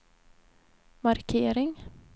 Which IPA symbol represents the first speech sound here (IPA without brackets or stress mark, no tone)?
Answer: m